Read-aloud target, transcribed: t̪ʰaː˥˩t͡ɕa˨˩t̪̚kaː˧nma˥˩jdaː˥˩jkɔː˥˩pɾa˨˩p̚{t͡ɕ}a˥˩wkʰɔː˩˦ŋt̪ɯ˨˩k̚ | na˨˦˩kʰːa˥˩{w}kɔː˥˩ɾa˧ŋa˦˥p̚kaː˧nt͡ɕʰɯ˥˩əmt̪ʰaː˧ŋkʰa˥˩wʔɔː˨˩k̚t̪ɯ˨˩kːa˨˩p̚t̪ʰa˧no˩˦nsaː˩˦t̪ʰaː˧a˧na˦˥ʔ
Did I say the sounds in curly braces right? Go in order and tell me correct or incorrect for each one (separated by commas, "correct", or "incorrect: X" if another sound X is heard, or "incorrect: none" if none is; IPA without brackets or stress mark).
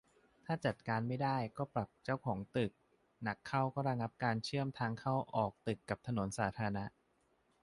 correct, correct